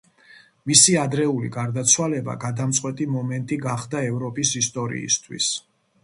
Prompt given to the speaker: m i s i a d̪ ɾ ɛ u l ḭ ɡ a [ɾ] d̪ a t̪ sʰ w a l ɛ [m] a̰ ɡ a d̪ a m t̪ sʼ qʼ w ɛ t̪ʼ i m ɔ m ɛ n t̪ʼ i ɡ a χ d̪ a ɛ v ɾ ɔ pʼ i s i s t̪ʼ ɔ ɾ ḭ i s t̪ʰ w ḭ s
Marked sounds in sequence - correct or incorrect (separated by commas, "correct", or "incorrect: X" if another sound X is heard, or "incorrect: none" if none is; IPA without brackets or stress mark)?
correct, incorrect: b